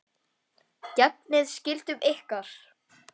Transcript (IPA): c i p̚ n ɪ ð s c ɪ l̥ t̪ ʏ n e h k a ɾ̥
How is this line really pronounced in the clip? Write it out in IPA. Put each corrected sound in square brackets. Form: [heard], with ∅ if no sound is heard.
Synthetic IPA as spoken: c [ɛ] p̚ n ɪ ð s c ɪ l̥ t̪ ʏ [m] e h k a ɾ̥